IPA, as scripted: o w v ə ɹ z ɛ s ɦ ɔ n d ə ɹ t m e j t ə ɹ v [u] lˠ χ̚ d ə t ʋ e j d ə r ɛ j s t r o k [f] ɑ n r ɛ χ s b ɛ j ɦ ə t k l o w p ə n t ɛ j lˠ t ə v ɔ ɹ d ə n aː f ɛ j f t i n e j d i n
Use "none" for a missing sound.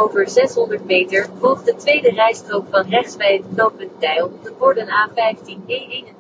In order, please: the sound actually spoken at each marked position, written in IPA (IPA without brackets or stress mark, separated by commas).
ɔ, f